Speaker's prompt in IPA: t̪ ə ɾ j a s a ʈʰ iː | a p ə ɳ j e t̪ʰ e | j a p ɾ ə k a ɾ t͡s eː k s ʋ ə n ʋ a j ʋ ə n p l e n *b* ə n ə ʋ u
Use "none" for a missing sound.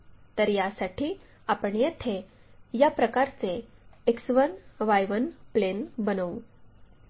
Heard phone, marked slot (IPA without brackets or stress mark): b